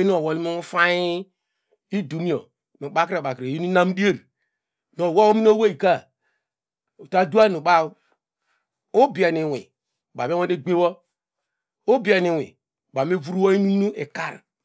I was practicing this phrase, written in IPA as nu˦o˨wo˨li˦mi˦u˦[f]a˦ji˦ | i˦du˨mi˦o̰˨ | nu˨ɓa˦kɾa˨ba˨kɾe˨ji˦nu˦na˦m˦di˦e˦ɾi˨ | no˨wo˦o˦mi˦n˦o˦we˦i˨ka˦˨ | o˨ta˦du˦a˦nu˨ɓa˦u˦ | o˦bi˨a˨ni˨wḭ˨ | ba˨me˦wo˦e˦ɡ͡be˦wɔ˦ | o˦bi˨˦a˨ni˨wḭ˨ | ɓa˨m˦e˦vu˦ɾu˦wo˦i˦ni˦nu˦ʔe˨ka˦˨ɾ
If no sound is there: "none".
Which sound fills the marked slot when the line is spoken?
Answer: f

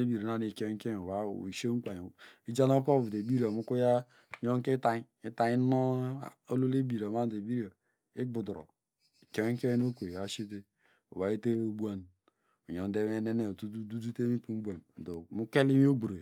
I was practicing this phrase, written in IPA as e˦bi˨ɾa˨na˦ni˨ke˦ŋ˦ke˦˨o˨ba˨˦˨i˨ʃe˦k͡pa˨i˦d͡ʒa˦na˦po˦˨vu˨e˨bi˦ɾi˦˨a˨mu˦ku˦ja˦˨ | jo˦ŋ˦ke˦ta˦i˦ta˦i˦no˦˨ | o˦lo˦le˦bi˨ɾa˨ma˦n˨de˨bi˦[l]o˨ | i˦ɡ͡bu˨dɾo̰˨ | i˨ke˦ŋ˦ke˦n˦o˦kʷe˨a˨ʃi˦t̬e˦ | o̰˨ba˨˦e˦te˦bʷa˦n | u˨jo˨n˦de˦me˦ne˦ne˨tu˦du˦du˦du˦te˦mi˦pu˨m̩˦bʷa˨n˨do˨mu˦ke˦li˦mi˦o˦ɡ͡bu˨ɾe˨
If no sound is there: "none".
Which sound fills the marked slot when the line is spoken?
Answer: ɾ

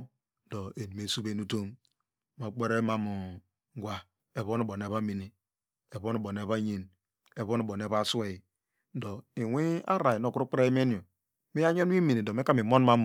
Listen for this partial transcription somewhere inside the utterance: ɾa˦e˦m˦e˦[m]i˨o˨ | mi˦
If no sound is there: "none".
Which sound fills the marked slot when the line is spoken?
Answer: n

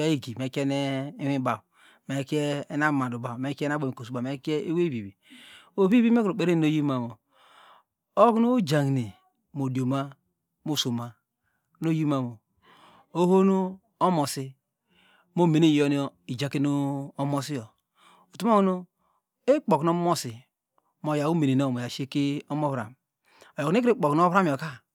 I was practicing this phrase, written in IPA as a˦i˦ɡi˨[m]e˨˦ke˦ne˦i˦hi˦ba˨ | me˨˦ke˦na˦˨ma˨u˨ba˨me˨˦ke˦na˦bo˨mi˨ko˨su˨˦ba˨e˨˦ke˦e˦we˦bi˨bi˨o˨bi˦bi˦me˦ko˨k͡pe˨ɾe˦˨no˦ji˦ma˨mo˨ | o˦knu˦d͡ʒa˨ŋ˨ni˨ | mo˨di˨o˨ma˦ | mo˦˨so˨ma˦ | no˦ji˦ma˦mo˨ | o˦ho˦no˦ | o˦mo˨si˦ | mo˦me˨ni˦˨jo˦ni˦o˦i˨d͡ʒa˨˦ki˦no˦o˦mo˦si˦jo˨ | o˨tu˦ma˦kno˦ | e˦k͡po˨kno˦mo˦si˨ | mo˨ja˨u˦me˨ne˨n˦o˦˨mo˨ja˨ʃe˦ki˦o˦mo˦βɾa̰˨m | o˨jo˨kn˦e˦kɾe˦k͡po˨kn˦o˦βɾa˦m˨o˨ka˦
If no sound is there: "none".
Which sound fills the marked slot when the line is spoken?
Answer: m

